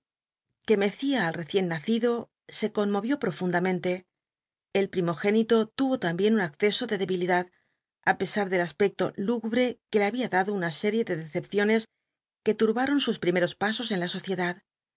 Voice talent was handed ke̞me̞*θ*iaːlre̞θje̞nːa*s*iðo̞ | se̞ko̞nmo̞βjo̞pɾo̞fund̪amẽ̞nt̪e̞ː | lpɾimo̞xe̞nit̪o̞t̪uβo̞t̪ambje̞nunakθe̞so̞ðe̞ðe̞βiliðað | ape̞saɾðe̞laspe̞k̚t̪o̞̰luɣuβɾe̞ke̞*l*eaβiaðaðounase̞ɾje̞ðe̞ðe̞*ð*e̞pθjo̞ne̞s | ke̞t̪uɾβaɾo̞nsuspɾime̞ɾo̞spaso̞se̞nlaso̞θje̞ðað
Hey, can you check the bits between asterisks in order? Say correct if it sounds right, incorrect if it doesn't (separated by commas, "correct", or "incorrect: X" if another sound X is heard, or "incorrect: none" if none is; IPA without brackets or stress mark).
correct, incorrect: θ, correct, incorrect: θ